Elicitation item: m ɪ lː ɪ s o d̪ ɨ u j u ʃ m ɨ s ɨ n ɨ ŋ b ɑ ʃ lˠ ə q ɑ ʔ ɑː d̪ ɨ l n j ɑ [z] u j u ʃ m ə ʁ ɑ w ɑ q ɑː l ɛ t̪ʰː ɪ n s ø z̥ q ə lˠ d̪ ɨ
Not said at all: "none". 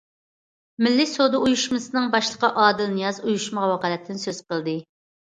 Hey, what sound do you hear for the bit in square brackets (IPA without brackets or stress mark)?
z